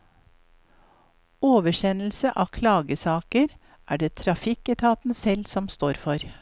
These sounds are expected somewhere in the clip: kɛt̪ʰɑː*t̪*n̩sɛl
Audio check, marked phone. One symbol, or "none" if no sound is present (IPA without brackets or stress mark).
t̪